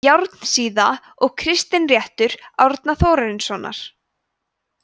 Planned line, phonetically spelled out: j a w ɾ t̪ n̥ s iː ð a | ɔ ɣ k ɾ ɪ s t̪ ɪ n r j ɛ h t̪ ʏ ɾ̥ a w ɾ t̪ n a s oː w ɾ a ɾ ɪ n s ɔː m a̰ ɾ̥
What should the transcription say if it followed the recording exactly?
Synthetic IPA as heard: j a w ɾ t̪ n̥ s iː ð a | ɔ ɣ kʰ ɾ ɪ s t̪ ɪ n r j ɛ h t̪ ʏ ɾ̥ a w ɾ t̪ n a θ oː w ɾ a ɾ ɪ n s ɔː n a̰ ɾ̥